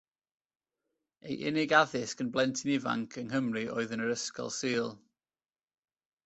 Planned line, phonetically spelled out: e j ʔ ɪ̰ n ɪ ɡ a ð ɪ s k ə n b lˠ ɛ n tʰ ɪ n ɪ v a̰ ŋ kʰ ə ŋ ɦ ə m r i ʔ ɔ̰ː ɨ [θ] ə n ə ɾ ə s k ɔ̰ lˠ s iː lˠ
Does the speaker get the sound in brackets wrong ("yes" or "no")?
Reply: yes